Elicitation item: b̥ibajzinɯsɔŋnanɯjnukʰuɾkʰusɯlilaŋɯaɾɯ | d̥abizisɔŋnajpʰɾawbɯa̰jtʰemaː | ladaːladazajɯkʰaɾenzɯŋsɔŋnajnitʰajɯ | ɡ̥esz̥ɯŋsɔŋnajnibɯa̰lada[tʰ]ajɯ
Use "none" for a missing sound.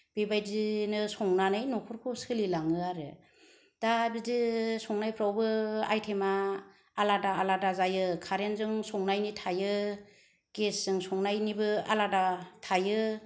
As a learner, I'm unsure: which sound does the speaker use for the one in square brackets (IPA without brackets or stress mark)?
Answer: tʰ